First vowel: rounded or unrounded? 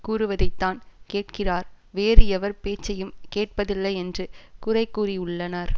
rounded